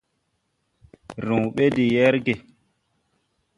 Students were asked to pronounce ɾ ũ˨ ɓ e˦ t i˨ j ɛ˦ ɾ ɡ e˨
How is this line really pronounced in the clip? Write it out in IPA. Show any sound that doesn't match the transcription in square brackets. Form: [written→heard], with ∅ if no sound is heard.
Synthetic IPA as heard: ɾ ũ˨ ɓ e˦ [t→d] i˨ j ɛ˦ ɾ ɡ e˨

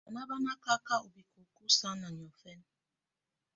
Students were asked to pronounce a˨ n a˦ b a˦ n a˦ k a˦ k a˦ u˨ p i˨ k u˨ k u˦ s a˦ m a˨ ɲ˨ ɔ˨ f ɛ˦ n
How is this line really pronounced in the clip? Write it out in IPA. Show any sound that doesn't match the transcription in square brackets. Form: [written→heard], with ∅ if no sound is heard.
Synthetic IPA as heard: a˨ n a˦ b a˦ n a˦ k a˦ k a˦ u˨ [p→b] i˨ k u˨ k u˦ s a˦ [m→n] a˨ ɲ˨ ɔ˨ f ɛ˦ n

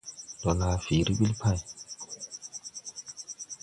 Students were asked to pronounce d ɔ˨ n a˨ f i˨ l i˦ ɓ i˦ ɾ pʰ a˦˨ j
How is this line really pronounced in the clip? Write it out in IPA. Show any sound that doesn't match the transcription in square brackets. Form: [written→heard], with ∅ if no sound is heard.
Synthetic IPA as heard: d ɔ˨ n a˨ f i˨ [l→ɾ] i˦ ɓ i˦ [ɾ→l] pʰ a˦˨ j

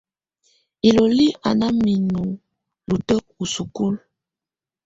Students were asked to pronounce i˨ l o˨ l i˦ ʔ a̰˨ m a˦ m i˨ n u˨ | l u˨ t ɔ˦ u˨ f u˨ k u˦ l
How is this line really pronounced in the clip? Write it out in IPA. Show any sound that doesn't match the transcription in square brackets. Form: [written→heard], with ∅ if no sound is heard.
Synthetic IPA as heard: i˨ l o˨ l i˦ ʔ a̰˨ [m→n] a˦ m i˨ n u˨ | l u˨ t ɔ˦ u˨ [f→s] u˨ k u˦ l

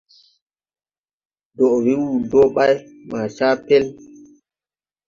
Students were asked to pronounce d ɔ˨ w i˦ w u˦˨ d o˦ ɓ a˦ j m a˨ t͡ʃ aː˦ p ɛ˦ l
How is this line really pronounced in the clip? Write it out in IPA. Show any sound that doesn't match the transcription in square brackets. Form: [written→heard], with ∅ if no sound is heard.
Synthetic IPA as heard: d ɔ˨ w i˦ w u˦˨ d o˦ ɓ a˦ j m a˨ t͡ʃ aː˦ p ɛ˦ l

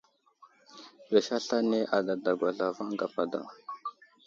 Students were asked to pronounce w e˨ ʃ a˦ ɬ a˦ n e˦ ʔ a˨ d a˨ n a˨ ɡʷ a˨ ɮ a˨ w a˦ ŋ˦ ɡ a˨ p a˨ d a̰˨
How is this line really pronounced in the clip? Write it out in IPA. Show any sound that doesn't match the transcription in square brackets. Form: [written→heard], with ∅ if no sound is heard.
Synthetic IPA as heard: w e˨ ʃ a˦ ɬ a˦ n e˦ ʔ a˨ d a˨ [n→d] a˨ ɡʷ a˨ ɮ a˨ [w→v] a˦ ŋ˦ ɡ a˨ p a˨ d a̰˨

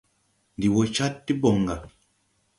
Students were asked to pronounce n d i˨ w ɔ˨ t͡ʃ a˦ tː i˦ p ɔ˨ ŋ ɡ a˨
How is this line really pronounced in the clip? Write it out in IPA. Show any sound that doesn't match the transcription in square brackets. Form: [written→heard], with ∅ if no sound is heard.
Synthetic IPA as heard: n d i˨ w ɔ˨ t͡ʃ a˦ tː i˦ [p→b] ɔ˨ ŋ ɡ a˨

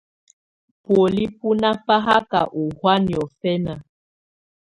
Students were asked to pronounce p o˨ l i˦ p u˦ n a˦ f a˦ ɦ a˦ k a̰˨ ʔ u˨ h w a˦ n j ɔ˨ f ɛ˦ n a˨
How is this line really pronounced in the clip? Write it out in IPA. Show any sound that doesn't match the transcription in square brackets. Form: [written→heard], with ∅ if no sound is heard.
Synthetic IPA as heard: p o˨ l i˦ p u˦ n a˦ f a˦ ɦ a˦ k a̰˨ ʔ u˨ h w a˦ n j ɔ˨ f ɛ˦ n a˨

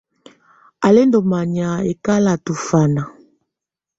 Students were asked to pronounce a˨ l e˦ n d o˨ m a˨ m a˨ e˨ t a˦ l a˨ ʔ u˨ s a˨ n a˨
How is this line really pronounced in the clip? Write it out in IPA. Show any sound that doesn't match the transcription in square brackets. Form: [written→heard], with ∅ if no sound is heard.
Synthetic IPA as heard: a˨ l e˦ n d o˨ m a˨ [m→ɲ] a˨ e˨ [t→k] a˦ l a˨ [ʔ→t] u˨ [s→f] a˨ n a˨

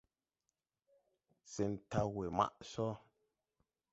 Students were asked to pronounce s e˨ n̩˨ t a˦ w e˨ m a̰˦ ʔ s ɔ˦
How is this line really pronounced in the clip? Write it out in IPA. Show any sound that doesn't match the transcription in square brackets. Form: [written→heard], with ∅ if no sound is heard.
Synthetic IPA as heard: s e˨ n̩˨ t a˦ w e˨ m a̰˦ ʔ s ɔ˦

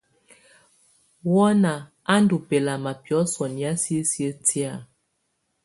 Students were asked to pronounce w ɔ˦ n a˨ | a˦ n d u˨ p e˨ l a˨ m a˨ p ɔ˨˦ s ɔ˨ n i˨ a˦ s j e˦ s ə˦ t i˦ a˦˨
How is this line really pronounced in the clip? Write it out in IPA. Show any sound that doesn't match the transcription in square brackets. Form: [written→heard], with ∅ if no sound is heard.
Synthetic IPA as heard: w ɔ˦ n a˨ | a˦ n d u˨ p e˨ l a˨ m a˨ p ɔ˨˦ s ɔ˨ n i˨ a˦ s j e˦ s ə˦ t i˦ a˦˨

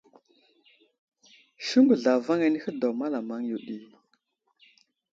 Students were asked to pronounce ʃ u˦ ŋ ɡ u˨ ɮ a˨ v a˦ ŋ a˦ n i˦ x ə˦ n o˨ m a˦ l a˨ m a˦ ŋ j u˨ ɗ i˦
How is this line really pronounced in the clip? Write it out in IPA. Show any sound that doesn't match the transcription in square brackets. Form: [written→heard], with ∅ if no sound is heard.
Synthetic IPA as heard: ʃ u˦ ŋ ɡ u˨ ɮ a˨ v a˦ ŋ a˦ n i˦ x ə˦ [n→d] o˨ m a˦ l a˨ m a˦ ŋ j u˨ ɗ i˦

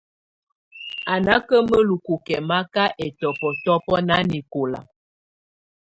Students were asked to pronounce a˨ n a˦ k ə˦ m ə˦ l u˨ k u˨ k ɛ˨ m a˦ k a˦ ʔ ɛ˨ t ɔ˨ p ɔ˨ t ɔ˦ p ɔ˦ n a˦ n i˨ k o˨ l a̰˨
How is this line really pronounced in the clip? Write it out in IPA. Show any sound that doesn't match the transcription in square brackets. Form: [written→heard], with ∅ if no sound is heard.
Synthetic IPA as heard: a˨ n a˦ k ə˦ m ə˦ l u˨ k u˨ k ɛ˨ m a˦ k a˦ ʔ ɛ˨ t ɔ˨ p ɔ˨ t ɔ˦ p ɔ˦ n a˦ n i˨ k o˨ l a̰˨

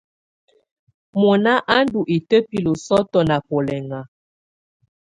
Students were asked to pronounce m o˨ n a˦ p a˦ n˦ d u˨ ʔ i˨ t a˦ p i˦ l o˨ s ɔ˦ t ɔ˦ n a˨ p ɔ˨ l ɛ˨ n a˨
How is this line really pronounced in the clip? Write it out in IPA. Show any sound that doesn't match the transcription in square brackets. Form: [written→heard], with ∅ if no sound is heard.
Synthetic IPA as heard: m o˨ n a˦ [p→ʔ] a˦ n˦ d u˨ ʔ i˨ t [a˦→ə˦] p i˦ l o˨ s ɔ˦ t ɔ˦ n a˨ p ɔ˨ l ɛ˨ [n→ŋ] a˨

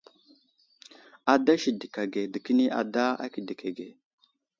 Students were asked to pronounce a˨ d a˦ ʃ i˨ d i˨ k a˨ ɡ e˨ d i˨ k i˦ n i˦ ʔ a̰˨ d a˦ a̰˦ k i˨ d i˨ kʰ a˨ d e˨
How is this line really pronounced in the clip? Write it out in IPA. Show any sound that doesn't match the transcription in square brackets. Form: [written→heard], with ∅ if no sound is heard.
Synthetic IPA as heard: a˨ d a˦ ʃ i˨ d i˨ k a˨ ɡ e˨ d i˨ k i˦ n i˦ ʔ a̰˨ d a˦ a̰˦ k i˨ d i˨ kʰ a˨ [d→ɡ] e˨

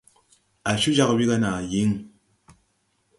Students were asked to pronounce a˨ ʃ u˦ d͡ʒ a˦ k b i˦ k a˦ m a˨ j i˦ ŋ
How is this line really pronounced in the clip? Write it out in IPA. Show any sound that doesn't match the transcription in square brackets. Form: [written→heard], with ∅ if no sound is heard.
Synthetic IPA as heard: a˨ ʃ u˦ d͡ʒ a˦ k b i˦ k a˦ [m→n] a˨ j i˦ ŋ

